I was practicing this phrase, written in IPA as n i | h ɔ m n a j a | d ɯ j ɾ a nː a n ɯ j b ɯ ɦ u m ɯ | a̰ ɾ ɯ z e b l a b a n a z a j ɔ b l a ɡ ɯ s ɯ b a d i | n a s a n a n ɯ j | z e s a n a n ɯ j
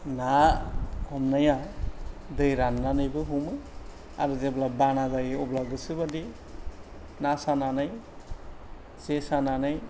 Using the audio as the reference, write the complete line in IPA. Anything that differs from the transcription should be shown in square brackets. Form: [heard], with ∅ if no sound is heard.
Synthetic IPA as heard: n [a] | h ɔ m n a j a | d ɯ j ɾ a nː a n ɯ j b ɯ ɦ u m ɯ | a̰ ɾ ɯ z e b l a b a n a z a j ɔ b l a ɡ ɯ s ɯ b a d i | n a s a n a n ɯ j | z e s a n a n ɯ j

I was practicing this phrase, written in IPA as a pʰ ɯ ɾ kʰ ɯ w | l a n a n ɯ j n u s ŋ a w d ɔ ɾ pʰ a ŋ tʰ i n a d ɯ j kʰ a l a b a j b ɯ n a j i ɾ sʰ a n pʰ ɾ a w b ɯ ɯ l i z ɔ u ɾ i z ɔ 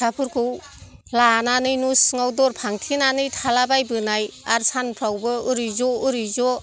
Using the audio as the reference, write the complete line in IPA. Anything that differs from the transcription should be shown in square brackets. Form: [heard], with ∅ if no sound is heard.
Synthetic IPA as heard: a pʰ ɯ ɾ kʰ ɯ w | l a n a n ɯ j n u s ŋ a w d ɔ ɾ pʰ a ŋ tʰ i n a [n] ɯ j [tʰ] a l a b a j b ɯ n a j [a] ɾ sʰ a n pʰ ɾ a w b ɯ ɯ [ɾ] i z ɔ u ɾ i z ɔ

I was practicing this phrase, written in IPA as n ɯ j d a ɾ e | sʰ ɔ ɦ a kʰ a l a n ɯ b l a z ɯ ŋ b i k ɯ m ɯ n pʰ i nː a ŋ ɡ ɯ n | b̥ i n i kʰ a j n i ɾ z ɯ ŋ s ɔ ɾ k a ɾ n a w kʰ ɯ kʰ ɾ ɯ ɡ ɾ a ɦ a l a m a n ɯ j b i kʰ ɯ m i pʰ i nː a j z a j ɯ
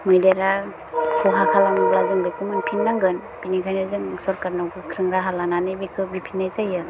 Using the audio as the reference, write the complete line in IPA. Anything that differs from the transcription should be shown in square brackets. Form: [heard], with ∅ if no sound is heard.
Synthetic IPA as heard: [m] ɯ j d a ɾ [a] | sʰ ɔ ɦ a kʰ a l a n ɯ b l a z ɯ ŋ b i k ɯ m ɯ n pʰ i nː a ŋ ɡ ɯ n | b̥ i n i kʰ a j n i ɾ z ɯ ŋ s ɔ ɾ k a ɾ n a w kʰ ɯ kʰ ɾ ɯ [ŋ] ɾ a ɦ a l a [n] a n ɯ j b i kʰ ɯ [b] i pʰ i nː a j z a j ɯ

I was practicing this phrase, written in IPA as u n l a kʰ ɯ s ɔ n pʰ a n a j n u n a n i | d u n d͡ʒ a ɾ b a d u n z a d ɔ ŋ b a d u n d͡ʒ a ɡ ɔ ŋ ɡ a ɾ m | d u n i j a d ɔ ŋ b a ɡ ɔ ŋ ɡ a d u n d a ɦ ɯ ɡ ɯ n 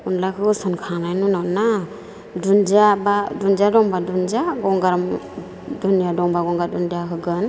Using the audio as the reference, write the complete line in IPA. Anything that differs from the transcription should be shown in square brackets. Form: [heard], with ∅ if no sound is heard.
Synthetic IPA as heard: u n l a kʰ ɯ s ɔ n [kʰ] a n a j n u n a n [a] | d u n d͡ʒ a [∅] b a d u n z a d ɔ ŋ b a d u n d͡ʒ a ɡ ɔ ŋ ɡ a ɾ m | d u n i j a d ɔ ŋ b a ɡ ɔ ŋ ɡ a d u n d a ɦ ɯ ɡ ɯ n

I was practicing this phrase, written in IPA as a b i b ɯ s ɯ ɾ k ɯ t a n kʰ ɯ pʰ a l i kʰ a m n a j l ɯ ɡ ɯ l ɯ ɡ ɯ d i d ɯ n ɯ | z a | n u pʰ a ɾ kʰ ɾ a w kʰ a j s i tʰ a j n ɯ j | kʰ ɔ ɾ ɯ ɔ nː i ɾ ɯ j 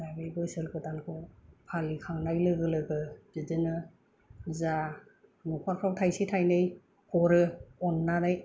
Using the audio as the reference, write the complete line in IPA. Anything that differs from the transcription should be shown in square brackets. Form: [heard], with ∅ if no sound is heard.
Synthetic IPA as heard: a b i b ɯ s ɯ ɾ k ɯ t a n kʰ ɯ pʰ a l i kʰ a [ŋ] n a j l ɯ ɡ ɯ l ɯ ɡ ɯ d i d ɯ n ɯ | z a | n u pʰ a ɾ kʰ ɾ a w [tʰ] a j s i tʰ a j n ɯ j | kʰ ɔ ɾ ɯ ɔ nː [a] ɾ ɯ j

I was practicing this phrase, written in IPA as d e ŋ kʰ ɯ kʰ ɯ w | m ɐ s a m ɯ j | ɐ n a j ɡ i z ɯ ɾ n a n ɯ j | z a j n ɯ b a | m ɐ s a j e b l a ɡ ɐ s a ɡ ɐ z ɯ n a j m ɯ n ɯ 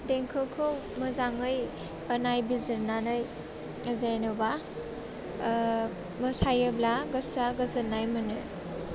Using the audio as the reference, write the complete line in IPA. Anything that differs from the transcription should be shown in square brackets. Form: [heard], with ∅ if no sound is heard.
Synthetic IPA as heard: d e ŋ kʰ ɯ kʰ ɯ w | m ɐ [z] a [ŋ] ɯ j | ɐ n a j [b] i z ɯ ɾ n a n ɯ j | z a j n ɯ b a | m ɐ s a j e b l a ɡ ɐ s a ɡ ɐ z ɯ n a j m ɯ n ɯ

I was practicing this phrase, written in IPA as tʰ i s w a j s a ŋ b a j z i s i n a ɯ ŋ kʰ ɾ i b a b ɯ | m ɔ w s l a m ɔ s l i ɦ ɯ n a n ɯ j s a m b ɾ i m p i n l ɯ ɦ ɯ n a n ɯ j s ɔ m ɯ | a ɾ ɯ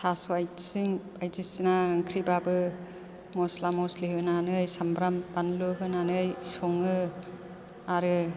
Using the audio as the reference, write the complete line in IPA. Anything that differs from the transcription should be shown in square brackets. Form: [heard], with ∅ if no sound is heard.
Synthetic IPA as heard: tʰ [a] s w a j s [i] ŋ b a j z i s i n a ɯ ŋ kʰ ɾ i b a b ɯ | m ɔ [∅] s l a m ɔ s l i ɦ ɯ n a n ɯ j s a m b ɾ [a] m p [a] n l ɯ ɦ ɯ n a n ɯ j s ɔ [ŋ] ɯ | a ɾ ɯ

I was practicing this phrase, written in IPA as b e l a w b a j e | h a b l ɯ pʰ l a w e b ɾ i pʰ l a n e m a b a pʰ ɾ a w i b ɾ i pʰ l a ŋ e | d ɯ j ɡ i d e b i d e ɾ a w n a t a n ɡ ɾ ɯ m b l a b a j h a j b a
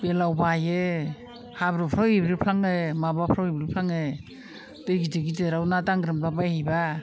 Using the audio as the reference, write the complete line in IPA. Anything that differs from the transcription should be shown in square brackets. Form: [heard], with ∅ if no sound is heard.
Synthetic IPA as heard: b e l a w b a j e | h a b [ɾ] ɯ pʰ [ɾ] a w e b ɾ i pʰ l a [ŋ] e m a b a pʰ ɾ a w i b ɾ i pʰ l a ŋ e | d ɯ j ɡ i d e [ɡ] i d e ɾ a w n a t a [ŋ] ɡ ɾ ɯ m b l a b a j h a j b a

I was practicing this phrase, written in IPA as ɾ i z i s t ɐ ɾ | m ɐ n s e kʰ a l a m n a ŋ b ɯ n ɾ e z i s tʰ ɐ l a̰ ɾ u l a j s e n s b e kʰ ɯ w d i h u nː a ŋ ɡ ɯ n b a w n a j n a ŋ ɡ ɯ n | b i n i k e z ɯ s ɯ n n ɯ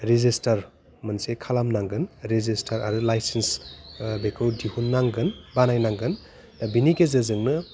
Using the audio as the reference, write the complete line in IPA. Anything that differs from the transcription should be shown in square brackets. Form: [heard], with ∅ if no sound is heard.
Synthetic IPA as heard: ɾ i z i s t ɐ ɾ | m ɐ n s e kʰ a l a m n a ŋ [ɡ] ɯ n ɾ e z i s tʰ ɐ [ɾ] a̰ ɾ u l a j s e n s b e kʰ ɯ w d i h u nː a ŋ ɡ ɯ n b a [∅] n a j n a ŋ ɡ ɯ n | b i n i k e z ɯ [z] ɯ [ŋ] n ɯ

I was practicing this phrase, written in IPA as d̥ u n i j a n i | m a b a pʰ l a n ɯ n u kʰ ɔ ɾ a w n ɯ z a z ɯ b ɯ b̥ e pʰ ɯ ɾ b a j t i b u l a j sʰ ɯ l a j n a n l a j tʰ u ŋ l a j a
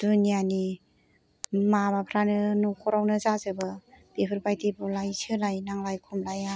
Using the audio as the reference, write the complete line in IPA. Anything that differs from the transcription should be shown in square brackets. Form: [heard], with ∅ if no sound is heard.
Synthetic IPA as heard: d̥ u n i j a n i | m a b a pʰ [ɾ] a n ɯ n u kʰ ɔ ɾ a w n ɯ z a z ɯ b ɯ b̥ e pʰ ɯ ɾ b a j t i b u l a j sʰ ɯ l a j n a [ŋ] l a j [kʰ] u [m] l a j a

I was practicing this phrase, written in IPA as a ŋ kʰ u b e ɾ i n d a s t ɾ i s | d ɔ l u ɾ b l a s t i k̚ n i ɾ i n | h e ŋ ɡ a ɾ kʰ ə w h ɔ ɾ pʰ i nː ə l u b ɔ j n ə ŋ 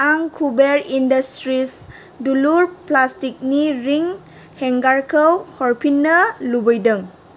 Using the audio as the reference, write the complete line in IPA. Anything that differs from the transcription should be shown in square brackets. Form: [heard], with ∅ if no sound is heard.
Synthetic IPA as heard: a ŋ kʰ u b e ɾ i n d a s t ɾ i s | d [u] l u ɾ [p] l a s t i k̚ n i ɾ i [ŋ] | h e ŋ ɡ a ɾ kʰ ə w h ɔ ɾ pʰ i nː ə l u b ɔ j [d] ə ŋ

